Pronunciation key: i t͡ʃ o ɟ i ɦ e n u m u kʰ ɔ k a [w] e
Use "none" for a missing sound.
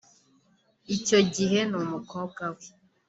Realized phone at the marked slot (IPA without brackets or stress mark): w